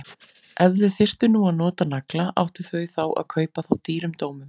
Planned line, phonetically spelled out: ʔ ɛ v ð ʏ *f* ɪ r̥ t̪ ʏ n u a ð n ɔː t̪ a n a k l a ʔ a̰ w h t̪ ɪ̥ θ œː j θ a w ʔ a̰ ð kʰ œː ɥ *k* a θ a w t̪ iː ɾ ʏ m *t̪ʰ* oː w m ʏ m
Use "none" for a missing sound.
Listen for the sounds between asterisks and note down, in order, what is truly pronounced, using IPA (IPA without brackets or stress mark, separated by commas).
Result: θ, p, t̪